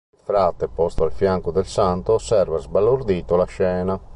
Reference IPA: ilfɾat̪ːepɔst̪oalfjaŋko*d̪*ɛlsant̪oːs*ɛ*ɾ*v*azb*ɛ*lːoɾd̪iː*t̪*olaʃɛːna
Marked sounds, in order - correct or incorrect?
correct, correct, correct, incorrect: a, correct

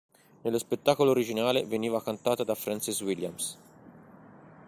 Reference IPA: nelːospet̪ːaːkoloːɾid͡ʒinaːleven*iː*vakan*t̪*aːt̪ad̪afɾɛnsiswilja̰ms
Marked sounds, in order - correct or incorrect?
correct, correct

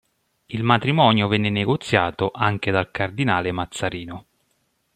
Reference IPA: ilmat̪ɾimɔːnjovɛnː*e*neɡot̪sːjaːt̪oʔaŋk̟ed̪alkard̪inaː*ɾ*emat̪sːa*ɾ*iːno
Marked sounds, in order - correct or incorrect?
correct, incorrect: l, correct

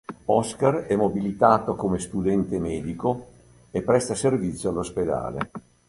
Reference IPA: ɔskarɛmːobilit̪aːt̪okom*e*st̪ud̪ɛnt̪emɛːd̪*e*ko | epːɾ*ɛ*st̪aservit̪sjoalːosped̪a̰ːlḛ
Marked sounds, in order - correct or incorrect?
correct, incorrect: i, correct

